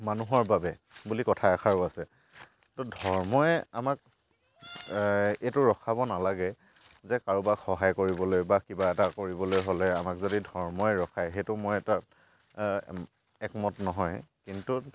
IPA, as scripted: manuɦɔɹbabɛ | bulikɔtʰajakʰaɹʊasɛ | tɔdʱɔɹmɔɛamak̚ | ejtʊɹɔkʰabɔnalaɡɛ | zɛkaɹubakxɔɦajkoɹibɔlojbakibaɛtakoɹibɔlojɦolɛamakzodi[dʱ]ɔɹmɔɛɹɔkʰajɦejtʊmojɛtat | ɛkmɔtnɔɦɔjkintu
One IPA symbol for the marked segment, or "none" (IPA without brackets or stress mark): dʱ